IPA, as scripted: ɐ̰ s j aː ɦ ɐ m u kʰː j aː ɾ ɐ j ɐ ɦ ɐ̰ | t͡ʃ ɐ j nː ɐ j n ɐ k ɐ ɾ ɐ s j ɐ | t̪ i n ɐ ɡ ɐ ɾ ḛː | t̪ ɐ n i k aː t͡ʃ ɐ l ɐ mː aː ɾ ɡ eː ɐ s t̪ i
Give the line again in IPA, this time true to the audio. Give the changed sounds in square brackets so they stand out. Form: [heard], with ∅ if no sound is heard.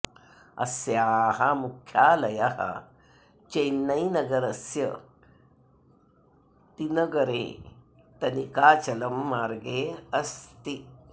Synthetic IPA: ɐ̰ s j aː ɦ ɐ m u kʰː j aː [l] ɐ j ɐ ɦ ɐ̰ | t͡ʃ ɐ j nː ɐ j n ɐ [ɡ] ɐ ɾ ɐ s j ɐ | t̪ i n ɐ ɡ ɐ ɾ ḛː | t̪ ɐ n i k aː t͡ʃ ɐ l ɐ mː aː ɾ ɡ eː ɐ s t̪ i